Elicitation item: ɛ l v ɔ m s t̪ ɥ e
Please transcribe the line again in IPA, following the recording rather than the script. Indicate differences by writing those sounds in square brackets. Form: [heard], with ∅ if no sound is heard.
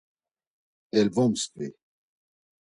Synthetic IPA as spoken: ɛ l v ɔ m s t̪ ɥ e